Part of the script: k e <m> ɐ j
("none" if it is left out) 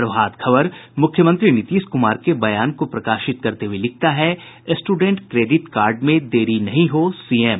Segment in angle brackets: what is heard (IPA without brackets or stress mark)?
b